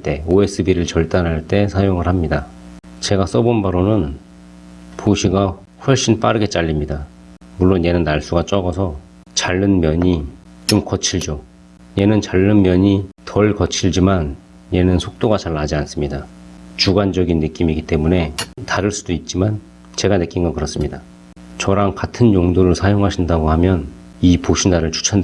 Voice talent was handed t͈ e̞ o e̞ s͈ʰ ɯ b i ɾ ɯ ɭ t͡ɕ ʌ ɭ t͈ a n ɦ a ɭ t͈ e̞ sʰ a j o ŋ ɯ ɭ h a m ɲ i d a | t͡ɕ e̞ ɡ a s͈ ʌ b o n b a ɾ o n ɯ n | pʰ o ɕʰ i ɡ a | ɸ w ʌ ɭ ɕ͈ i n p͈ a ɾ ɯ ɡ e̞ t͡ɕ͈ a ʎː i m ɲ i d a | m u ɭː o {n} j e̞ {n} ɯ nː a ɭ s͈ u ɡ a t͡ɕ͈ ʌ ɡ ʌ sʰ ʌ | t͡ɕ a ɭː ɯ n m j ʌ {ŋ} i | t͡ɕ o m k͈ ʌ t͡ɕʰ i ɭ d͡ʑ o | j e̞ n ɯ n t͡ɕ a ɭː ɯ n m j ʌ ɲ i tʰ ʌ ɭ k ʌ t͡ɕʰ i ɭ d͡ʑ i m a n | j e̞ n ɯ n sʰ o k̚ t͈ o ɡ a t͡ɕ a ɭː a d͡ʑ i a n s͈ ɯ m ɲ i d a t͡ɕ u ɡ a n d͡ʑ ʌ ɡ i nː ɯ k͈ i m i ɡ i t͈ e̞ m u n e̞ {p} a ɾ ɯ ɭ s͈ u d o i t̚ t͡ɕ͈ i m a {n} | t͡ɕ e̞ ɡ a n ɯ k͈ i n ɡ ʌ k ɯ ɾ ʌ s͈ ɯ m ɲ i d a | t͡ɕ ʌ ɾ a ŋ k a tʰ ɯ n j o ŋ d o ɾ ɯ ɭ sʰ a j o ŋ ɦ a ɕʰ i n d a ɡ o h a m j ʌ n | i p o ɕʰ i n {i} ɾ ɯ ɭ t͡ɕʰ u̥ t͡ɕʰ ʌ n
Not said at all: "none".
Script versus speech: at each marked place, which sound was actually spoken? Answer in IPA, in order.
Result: n, n, ɲ, t, n, a

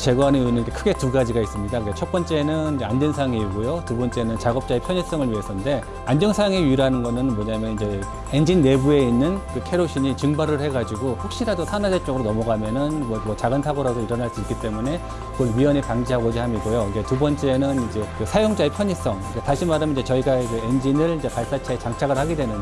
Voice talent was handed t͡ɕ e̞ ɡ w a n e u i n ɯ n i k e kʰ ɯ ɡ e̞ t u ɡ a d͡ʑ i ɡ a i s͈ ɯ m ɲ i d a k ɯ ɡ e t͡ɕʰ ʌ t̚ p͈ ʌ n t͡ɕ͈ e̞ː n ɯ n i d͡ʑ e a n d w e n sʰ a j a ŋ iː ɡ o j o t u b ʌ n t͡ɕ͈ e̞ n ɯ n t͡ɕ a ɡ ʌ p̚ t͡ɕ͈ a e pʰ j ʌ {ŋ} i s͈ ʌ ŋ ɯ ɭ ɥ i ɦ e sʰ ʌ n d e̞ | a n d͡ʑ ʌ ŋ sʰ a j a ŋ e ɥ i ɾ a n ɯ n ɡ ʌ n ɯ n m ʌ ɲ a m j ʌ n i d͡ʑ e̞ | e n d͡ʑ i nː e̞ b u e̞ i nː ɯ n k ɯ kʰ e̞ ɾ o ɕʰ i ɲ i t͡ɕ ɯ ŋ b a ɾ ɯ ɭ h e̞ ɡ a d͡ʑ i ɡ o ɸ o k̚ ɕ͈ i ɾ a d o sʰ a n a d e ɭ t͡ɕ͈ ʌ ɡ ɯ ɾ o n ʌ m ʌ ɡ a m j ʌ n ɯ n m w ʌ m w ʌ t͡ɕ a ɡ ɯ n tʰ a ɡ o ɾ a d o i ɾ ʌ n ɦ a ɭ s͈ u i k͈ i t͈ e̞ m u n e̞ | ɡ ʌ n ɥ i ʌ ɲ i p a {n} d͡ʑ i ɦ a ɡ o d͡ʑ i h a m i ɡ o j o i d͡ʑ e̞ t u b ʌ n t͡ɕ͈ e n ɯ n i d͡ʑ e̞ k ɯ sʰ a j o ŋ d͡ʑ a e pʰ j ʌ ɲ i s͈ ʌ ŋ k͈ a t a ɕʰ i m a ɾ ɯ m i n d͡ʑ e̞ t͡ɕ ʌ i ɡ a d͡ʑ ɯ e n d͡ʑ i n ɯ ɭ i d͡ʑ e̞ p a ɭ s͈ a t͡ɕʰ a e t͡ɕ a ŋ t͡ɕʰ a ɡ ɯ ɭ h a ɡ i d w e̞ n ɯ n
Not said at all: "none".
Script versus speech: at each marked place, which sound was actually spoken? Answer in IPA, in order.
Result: ɲ, ŋ

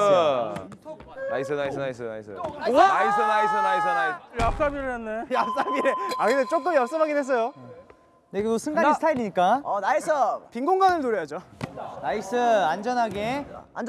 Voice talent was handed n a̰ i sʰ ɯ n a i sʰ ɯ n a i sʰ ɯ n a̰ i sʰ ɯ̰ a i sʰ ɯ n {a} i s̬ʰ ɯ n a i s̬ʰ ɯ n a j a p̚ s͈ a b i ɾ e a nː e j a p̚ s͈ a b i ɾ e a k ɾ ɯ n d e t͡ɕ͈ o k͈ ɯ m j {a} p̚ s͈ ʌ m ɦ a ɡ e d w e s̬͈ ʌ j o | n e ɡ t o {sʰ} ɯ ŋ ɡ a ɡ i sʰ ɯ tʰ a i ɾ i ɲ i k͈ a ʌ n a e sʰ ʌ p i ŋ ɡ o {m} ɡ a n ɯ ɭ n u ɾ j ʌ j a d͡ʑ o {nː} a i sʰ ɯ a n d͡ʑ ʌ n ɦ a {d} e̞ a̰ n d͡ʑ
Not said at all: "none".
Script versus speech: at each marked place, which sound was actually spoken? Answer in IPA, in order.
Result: a, ʌ, sʰ, ŋ, n, ɡ

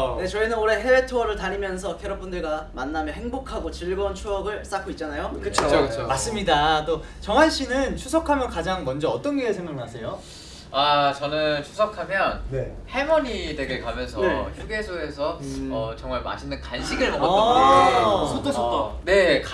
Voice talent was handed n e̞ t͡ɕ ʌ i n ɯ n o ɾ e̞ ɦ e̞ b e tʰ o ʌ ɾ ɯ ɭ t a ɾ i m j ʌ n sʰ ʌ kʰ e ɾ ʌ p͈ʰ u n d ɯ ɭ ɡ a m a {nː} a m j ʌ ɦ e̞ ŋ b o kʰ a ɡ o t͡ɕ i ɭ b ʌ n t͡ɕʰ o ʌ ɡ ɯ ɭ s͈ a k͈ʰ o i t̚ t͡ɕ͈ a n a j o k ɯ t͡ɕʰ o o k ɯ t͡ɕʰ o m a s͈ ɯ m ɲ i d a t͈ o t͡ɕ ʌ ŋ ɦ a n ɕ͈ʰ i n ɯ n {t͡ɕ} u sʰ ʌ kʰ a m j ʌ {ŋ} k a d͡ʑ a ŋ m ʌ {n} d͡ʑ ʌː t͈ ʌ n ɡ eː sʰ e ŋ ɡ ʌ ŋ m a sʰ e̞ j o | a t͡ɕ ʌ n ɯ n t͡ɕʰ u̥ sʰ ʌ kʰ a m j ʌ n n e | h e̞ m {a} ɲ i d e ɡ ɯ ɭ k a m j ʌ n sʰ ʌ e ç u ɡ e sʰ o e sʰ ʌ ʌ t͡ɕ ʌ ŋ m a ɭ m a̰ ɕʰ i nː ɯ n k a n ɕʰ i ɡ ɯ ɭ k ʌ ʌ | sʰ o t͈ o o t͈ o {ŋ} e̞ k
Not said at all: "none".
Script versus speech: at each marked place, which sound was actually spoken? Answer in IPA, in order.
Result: nː, t͡ɕʰ, n, n, ʌ, n

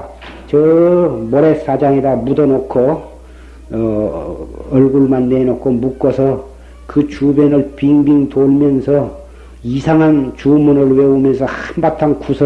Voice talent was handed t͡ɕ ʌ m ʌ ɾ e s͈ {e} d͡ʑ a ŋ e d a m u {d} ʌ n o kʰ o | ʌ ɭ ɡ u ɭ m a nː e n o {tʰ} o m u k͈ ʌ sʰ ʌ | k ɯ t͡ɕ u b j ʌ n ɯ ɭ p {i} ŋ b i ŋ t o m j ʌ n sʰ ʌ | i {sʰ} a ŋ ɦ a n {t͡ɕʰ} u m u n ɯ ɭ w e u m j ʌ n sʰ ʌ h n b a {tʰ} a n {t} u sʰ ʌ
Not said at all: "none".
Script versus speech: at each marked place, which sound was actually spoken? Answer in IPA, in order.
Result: a, d, kʰ, i, sʰ, t͡ɕ, tʰ, k

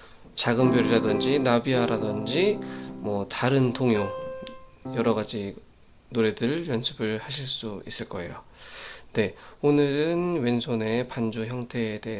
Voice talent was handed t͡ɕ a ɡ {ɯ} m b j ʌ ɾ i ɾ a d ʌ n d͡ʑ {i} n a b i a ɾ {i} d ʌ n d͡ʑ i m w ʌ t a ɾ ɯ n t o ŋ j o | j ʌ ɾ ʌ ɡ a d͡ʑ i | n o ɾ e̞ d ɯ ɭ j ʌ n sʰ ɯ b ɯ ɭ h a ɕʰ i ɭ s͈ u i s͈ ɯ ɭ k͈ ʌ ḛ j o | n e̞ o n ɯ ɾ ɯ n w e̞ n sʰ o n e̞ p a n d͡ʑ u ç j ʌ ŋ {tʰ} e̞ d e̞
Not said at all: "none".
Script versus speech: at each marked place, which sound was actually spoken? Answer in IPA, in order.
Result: ɯ, i, a, tʰ

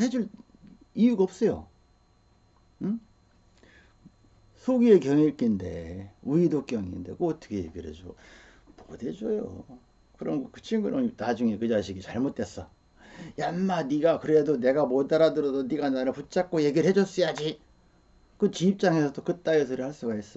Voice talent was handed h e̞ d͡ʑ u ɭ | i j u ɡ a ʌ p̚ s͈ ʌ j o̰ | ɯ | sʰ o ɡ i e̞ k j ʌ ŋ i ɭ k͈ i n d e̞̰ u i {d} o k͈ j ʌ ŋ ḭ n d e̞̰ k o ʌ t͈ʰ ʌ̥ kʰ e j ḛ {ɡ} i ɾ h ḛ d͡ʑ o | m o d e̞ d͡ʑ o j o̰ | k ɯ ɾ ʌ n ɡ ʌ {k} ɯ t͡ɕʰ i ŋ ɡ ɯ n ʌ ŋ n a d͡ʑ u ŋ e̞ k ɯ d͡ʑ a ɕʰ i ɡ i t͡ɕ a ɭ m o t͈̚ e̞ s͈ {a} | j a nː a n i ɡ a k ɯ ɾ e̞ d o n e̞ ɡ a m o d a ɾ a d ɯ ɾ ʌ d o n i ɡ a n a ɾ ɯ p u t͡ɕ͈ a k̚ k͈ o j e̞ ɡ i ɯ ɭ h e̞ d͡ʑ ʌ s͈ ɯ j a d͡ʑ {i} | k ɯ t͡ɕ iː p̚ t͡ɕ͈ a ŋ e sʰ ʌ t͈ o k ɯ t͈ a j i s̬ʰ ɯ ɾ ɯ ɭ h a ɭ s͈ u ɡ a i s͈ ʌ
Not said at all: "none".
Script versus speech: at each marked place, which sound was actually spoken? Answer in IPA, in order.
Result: d, ɡ, k, ʌ, i

